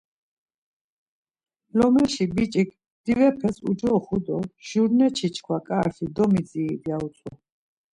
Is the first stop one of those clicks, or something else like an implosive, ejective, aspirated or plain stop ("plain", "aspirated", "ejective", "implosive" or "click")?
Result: plain